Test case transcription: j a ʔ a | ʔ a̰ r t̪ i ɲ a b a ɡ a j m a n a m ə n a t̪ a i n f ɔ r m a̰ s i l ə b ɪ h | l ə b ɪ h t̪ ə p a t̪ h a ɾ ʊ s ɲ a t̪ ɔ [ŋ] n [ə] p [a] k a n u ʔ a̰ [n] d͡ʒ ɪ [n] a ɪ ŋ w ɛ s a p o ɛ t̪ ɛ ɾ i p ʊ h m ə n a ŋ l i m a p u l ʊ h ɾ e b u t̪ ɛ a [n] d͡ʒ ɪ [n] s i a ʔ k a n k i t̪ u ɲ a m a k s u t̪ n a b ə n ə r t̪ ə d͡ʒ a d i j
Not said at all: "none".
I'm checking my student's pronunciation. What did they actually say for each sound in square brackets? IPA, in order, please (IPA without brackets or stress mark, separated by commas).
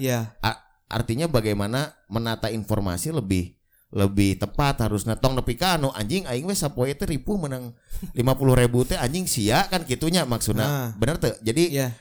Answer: ŋ, ə, i, ɲ, ŋ, ɲ, ŋ